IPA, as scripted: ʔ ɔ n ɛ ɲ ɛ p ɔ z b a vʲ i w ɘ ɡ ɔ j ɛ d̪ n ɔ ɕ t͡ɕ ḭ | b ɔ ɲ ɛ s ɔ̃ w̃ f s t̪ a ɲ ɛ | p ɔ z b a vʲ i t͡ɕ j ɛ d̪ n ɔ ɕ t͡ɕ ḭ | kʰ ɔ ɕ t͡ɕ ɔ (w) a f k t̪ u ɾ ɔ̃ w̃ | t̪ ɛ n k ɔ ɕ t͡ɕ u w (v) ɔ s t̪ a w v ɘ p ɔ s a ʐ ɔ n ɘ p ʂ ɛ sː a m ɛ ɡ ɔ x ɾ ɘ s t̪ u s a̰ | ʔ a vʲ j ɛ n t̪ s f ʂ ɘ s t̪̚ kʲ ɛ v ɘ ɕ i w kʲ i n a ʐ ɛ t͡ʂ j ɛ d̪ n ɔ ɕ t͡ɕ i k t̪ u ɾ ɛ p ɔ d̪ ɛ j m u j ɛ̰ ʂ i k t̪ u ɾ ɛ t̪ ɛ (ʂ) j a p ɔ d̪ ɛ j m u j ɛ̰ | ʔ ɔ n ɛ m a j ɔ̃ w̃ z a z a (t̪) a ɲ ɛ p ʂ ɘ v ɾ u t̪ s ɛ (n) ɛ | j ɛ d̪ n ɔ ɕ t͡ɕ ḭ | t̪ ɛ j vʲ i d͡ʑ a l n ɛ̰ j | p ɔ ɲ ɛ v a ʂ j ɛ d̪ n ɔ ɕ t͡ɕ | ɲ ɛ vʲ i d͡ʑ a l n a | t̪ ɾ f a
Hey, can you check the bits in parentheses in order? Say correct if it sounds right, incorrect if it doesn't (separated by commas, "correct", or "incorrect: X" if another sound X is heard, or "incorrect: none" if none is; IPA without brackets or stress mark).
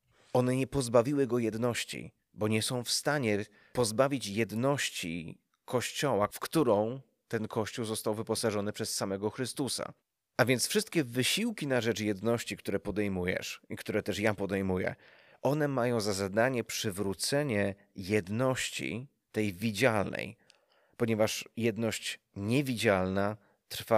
correct, incorrect: z, correct, incorrect: d̪, incorrect: ɲ